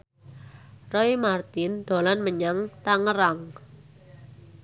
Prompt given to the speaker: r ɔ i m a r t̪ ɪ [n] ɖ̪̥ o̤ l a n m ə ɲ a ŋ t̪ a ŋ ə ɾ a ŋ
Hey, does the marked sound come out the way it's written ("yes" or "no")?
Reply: yes